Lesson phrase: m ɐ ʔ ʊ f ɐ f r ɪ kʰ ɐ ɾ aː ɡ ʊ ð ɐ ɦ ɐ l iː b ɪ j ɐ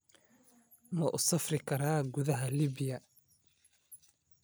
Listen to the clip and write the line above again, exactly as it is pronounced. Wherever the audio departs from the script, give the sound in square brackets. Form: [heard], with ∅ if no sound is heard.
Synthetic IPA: m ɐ ʔ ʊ [s] ɐ f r ɪ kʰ ɐ ɾ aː ɡ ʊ ð ɐ ɦ ɐ l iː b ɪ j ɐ